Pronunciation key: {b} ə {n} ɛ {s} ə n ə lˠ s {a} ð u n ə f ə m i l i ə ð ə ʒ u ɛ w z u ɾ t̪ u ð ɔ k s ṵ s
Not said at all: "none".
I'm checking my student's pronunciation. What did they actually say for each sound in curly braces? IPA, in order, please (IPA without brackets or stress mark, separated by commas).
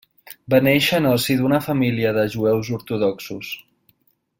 b, n, ʃ, i